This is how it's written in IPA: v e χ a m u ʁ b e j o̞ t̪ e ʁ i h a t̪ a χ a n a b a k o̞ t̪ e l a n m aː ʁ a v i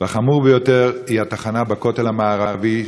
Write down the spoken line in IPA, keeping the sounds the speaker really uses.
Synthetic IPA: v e χ a m u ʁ b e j o̞ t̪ e ʁ i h a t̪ a χ a n a b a k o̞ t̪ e l a m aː ʁ a v i